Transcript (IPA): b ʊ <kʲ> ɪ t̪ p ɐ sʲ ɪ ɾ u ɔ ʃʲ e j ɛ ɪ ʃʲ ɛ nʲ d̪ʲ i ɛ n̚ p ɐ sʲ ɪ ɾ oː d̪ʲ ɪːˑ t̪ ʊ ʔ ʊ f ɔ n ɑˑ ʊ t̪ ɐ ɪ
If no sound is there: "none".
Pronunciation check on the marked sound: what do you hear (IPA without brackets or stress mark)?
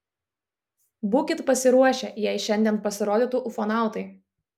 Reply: kʲ